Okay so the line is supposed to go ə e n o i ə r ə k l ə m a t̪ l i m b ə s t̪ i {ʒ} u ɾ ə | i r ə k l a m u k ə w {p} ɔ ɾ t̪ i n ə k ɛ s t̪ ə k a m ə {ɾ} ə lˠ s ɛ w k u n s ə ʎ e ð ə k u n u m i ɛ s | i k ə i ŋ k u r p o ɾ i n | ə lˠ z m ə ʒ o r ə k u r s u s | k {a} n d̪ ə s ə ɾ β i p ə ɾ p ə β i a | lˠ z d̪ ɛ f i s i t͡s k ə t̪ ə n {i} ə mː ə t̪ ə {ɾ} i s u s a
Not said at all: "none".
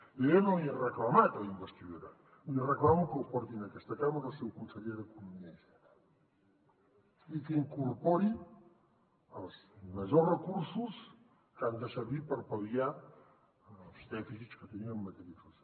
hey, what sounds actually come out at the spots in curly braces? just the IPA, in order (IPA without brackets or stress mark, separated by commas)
ð, p, ɾ, a, i, ɾ